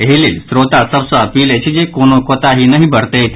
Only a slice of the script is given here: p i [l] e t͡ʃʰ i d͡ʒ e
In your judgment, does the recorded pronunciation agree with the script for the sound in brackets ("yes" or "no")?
yes